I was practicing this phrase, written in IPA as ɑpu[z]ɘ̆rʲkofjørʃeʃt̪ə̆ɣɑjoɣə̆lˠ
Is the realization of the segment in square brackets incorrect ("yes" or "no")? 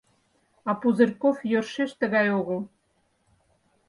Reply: no